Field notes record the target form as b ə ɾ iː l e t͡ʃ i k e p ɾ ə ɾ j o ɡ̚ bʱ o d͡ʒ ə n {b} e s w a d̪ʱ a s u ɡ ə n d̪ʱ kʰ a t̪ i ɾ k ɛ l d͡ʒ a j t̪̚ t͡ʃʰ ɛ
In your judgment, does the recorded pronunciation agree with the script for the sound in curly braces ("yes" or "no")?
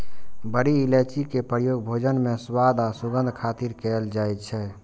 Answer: no